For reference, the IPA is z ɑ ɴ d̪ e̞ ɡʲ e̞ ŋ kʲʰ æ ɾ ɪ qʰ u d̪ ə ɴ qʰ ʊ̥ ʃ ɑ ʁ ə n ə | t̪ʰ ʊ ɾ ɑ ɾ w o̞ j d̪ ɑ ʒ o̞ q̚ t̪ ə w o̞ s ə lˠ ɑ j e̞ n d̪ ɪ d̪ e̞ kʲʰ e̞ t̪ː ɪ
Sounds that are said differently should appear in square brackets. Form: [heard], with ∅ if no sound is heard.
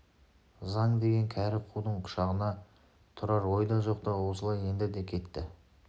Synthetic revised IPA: z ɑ ɴ d̪ e̞ ɡʲ e̞ ŋ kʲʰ æ ɾ ɪ qʰ u d̪ ə ɴ qʰ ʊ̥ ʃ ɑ ʁ ə n [ɑ] | t̪ʰ ʊ ɾ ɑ ɾ w o̞ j d̪ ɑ ʒ o̞ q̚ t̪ [ɑ] w o̞ s ə lˠ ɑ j e̞ n d̪ ɪ d̪ e̞ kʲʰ e̞ t̪ː ɪ